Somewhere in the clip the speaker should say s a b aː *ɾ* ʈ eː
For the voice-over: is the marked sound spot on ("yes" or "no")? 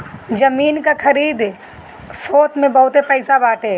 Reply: no